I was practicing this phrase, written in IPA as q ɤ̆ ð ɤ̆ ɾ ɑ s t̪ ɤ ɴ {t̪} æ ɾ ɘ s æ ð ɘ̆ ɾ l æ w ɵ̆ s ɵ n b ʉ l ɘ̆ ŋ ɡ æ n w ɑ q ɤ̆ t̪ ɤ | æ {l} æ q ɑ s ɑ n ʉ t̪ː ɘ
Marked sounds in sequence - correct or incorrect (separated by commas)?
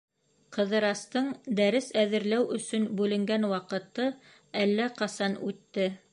incorrect, incorrect